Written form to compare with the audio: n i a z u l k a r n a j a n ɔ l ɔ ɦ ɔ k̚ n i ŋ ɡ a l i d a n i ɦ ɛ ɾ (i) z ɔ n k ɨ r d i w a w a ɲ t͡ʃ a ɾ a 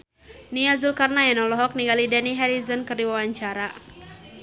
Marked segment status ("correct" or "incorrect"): correct